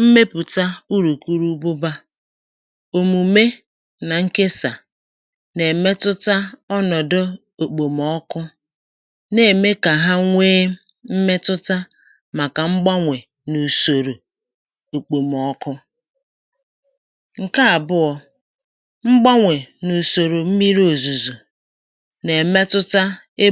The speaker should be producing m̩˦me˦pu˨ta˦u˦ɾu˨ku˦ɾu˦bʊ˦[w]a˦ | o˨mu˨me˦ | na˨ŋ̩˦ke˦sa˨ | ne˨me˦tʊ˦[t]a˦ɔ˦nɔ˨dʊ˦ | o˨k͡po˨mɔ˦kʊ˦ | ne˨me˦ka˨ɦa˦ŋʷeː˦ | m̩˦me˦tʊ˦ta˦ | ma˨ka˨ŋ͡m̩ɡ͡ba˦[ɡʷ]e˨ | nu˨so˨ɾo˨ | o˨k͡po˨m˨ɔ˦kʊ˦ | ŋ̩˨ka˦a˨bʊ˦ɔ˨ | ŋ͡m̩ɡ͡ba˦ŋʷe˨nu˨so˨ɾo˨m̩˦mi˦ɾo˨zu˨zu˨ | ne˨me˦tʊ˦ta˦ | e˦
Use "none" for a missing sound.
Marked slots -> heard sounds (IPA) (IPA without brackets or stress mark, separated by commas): b, t, ŋʷ